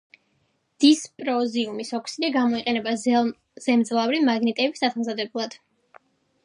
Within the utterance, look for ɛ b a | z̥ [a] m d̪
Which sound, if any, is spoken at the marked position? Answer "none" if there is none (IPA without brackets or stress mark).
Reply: ɛ